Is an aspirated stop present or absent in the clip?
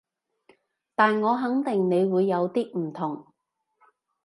present